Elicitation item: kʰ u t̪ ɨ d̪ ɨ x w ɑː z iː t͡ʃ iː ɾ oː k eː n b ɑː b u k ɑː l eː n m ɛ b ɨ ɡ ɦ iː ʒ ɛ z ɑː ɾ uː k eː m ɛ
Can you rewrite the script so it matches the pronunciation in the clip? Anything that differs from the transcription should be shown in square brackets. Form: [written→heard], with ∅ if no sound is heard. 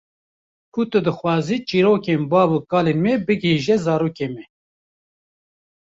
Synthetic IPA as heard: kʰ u t̪ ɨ d̪ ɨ x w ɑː z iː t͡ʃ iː ɾ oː k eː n b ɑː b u k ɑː l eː n m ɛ b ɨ ɡ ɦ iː ʒ ɛ z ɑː ɾ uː k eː m ɛ